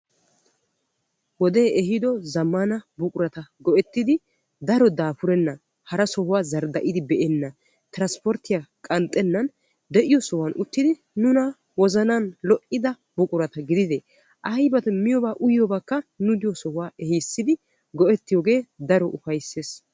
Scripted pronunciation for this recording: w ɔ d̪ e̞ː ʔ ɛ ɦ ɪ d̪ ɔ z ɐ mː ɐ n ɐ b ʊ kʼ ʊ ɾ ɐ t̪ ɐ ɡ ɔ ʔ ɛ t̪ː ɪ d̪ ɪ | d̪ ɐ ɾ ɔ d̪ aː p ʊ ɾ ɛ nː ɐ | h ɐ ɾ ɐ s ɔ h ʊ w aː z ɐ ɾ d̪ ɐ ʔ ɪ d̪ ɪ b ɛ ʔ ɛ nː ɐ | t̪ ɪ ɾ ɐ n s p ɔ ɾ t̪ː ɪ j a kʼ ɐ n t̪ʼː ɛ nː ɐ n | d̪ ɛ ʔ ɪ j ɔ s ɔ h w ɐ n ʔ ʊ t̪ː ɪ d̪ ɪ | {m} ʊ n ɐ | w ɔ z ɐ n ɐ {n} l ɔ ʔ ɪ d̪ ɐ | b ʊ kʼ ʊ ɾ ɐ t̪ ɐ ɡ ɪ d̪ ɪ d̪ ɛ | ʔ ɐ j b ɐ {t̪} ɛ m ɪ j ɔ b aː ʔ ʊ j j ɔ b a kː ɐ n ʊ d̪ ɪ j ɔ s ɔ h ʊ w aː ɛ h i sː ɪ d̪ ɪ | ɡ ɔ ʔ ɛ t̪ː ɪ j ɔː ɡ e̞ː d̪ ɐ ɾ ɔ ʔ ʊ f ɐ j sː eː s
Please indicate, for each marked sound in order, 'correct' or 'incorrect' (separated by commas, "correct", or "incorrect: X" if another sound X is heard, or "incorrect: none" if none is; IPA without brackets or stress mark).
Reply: incorrect: n, correct, correct